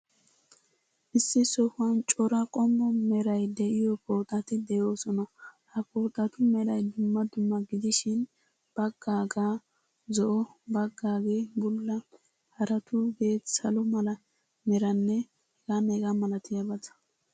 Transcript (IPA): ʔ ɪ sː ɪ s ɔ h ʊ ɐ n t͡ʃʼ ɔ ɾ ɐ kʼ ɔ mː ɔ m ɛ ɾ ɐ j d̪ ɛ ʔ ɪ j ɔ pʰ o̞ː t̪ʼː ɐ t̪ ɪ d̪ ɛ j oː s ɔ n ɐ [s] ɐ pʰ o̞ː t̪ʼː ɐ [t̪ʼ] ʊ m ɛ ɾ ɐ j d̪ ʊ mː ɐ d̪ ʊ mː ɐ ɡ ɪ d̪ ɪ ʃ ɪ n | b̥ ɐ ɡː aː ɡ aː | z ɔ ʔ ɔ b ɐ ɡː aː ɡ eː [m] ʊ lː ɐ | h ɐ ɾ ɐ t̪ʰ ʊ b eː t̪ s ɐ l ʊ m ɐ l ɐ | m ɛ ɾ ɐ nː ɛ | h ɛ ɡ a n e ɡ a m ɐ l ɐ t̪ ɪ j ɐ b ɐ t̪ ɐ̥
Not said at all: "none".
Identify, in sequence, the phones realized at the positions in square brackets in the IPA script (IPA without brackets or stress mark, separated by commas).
h, t̪, b